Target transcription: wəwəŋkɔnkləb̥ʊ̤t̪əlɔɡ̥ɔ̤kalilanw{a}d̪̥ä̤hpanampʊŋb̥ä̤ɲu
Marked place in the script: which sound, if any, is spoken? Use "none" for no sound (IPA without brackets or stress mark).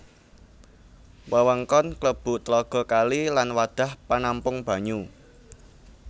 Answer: a